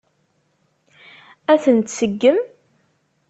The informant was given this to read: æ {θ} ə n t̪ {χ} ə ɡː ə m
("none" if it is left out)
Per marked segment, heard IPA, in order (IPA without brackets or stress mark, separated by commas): θ, s